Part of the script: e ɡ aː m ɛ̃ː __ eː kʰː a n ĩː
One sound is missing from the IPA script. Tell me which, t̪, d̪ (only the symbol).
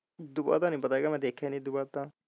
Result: d̪